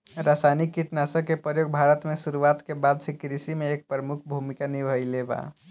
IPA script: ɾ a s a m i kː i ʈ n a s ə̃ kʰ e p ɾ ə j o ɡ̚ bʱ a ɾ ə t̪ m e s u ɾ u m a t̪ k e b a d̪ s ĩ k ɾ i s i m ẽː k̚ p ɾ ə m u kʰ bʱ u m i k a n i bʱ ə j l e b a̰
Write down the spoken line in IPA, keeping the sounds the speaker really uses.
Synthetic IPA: ɾ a s a n i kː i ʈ n a s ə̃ k e p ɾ ə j o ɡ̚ bʱ a ɾ ə t̪ m e s u ɾ u a t̪ k e b a d̪ s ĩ k ɾ i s i m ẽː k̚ p ɾ ə m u kʰ bʱ u m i k a n i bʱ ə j l e b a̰